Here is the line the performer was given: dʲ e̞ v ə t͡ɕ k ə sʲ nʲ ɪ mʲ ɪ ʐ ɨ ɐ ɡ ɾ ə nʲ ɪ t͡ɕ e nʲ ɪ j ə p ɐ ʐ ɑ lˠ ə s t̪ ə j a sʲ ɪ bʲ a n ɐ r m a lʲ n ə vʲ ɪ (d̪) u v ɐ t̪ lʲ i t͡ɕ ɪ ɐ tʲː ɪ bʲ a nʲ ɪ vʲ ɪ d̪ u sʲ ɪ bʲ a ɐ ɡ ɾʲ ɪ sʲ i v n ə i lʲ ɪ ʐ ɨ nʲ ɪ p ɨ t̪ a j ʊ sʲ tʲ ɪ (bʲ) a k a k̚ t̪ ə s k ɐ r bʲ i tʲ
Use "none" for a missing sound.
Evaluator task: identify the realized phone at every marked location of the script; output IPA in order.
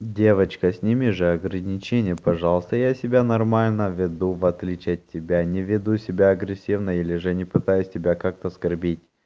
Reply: d̪, bʲ

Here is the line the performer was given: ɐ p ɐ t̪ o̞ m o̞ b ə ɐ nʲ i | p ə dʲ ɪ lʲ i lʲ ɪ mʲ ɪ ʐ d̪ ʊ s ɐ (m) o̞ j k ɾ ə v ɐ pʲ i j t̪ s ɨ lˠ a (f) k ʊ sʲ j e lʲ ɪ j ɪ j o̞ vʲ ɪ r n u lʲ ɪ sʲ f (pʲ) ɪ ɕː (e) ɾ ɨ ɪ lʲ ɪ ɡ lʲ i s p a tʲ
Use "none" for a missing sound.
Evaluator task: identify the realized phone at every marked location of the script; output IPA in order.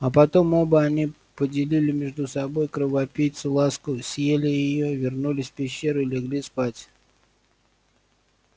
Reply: b, s, pʲ, e

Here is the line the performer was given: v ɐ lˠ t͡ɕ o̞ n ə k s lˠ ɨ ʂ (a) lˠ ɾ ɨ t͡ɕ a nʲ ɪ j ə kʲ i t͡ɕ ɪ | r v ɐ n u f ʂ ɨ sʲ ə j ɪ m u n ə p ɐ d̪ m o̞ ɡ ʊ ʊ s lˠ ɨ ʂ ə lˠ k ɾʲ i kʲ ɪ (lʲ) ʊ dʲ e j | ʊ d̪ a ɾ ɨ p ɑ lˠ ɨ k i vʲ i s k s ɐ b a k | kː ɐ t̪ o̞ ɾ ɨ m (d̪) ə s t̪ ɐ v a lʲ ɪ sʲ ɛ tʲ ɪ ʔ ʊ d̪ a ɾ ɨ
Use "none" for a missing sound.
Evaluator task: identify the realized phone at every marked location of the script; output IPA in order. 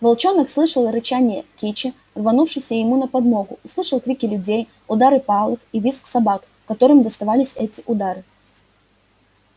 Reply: ə, lʲ, d̪

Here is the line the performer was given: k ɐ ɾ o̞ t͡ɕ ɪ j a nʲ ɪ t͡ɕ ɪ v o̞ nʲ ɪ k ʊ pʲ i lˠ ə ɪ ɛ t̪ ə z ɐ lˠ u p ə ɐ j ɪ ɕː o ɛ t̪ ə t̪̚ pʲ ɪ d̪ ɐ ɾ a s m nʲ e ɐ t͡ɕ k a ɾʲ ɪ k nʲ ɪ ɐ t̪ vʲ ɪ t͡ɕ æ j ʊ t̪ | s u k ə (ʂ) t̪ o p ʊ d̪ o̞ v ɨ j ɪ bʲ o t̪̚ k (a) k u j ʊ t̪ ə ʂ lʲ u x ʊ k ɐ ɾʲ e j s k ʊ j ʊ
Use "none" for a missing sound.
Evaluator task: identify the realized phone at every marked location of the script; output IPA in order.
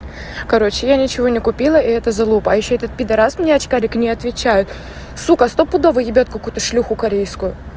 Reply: s, ɐ

